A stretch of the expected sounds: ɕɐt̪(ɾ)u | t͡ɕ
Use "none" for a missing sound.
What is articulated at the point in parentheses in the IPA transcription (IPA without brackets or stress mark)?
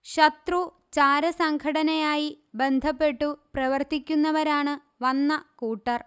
r